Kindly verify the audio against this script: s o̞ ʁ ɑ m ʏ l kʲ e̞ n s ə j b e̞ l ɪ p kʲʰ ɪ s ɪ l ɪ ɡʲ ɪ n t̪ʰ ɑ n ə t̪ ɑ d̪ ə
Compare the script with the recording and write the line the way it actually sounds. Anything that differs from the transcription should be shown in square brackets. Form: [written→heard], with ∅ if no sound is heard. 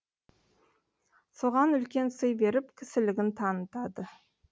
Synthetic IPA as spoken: s o̞ ʁ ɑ [m→n] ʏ l kʲ e̞ n s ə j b e̞ [l→ɾ] ɪ p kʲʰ ɪ s ɪ l ɪ ɡʲ ɪ n t̪ʰ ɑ n ə t̪ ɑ d̪ ə